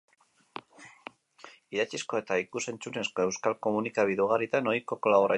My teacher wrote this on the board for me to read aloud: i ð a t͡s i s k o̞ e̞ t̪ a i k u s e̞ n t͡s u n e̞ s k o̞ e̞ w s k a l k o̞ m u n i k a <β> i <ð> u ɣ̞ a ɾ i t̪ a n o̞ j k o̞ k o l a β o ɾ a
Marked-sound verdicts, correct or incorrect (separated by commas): correct, correct